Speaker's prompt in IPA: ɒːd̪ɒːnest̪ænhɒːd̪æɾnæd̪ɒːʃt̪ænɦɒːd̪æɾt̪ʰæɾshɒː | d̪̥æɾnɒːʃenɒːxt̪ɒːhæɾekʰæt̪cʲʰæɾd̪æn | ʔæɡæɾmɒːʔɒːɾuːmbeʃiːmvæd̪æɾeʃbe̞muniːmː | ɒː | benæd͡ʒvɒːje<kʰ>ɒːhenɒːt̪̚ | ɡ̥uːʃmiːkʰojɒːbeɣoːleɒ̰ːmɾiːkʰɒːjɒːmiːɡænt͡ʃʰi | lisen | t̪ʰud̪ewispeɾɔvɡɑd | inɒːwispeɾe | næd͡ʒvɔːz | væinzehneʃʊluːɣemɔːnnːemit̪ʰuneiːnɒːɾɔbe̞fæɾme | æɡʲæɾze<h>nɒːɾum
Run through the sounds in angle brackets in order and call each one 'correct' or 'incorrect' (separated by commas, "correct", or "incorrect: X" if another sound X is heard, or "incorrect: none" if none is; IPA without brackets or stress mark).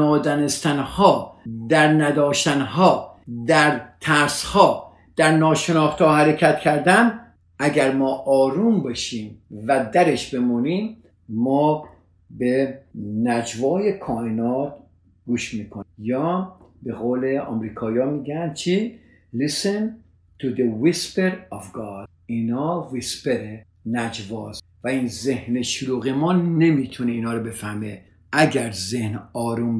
correct, correct